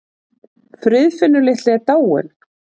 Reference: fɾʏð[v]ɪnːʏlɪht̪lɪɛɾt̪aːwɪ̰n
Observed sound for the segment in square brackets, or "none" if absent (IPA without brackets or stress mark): f